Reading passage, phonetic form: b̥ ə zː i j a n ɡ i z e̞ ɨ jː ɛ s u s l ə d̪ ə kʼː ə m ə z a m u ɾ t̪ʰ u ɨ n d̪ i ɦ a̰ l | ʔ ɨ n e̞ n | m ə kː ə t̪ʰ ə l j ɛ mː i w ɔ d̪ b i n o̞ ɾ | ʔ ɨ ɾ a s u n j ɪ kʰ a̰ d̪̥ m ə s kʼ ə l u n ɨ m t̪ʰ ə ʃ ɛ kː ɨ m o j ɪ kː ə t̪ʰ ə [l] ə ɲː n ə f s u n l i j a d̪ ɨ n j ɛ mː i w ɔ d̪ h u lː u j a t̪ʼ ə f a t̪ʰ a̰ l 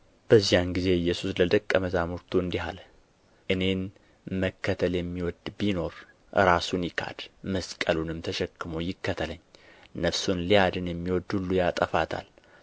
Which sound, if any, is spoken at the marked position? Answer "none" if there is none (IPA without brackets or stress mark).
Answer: l